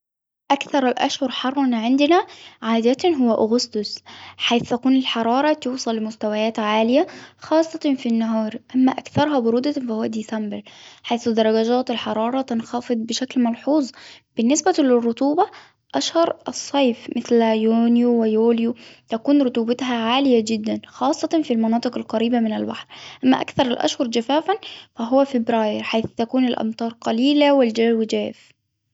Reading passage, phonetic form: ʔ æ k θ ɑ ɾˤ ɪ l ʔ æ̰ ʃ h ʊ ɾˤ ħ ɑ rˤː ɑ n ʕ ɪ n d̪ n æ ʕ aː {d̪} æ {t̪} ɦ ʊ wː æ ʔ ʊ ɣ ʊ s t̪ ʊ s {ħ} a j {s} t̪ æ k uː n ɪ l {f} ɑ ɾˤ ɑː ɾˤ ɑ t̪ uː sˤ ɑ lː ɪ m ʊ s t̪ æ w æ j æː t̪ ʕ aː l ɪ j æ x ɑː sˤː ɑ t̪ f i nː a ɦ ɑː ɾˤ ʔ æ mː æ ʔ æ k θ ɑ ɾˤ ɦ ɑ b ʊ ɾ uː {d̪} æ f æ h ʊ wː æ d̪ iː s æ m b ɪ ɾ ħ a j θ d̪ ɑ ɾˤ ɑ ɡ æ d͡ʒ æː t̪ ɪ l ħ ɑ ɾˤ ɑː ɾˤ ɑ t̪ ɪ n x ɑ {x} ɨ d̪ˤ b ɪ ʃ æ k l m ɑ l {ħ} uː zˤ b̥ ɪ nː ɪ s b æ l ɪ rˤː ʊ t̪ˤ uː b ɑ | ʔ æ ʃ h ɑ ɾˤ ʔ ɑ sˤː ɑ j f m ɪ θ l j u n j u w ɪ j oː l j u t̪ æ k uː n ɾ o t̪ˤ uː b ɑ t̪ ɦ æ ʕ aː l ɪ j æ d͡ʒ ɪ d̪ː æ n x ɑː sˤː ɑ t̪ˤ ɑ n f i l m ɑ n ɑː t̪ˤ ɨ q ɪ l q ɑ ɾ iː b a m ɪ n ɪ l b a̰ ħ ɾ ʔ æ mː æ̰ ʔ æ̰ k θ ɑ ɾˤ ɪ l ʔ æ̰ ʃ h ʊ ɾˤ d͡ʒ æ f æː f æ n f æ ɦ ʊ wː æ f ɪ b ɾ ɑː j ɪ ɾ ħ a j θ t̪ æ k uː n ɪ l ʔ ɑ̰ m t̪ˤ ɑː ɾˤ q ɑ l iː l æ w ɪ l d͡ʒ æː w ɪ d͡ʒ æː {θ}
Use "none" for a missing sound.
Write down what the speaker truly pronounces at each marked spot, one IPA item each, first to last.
d̪, t̪, ħ, θ, ħ, d̪, f, ħ, f

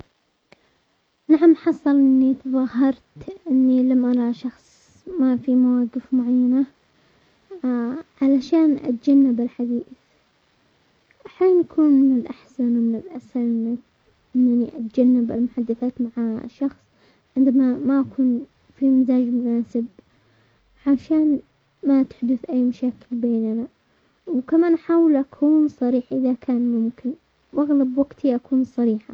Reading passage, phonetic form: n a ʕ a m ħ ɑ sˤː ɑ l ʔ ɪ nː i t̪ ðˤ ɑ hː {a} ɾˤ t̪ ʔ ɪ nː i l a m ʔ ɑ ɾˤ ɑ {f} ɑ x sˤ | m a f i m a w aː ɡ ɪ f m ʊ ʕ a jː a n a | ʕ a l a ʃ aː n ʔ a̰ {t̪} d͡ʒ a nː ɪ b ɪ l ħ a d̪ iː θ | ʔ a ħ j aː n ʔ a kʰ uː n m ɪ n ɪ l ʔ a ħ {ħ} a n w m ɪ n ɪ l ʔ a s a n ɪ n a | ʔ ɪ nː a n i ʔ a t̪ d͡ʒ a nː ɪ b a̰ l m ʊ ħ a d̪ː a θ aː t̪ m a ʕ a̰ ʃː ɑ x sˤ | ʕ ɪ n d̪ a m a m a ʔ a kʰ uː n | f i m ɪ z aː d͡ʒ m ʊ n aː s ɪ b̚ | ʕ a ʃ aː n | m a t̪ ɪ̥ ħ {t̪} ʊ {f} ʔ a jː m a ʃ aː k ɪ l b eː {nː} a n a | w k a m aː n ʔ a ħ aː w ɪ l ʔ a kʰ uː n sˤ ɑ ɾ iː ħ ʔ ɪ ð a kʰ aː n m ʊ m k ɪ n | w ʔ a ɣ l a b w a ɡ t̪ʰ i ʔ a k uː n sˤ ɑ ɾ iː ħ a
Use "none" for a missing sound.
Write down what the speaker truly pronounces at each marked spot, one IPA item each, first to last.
ɑ, ʃ, t̪, s, d̪, θ, n

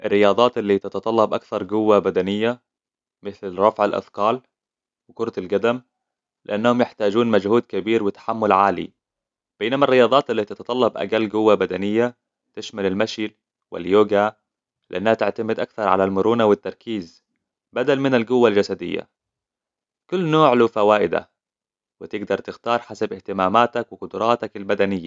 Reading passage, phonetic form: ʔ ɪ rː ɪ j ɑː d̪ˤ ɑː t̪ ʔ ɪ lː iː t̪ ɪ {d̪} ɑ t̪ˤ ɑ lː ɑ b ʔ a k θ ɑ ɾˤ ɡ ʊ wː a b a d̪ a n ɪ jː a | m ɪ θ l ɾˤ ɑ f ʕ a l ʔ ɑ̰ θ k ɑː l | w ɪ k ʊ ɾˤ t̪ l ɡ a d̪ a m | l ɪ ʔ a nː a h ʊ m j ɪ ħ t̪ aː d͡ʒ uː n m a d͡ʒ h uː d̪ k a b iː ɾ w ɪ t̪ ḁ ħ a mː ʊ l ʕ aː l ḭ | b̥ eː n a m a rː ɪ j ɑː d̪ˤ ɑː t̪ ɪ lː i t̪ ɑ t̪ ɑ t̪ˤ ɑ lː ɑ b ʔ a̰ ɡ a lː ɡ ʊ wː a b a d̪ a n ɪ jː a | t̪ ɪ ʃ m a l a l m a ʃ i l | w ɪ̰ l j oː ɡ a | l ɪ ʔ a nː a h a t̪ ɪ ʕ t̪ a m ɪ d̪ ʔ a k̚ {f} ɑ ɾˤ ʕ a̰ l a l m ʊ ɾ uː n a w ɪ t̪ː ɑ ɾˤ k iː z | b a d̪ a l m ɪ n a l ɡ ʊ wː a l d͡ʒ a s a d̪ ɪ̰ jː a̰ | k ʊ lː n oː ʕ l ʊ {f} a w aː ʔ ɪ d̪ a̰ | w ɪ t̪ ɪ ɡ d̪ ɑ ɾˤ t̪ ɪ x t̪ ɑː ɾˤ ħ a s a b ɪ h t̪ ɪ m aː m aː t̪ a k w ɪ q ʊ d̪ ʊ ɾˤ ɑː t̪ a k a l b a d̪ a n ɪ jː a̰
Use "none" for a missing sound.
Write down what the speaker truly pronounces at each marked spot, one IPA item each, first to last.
t̪, θ, f

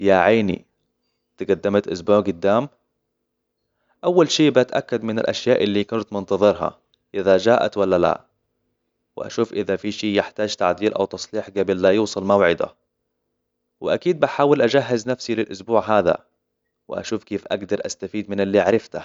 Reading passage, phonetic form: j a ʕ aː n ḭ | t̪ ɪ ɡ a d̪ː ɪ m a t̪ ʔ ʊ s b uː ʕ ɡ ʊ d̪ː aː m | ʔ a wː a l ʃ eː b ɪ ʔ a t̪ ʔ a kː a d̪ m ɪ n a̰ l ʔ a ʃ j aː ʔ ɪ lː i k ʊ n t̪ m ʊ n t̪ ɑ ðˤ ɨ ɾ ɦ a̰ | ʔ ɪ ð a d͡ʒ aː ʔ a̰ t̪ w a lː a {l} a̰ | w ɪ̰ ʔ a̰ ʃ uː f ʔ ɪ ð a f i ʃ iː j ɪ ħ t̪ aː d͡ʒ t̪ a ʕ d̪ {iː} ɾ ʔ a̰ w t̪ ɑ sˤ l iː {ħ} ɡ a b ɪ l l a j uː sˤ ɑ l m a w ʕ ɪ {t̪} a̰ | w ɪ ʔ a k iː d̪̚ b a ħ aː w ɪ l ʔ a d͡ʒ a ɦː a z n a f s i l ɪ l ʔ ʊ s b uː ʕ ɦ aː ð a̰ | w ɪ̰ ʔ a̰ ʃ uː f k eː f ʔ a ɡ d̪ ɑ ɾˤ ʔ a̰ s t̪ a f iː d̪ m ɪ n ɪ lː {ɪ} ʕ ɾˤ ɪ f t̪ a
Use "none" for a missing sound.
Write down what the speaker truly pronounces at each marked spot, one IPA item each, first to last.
l, iː, ħ, d̪, i

